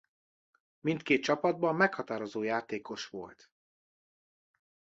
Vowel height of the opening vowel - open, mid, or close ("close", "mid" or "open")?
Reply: close